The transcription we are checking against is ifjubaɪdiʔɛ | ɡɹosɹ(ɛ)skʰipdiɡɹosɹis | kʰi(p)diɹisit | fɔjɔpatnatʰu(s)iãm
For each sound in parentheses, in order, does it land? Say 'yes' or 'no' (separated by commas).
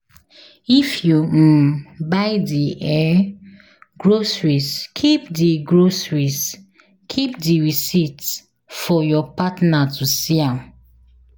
no, yes, yes